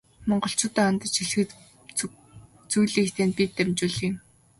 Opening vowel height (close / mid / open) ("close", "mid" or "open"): mid